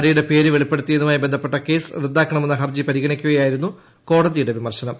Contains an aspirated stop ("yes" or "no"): no